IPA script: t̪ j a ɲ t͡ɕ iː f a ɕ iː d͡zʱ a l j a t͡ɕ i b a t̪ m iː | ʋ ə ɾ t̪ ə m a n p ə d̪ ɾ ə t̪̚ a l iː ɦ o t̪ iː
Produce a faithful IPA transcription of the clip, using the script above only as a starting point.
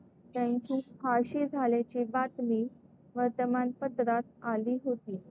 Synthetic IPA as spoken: t̪ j a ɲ t͡ɕ iː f a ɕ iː d͡zʱ a l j a t͡ɕ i b a t̪ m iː | ʋ ə ɾ t̪ ə m a n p ə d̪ ɾ a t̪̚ a l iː ɦ o t̪ iː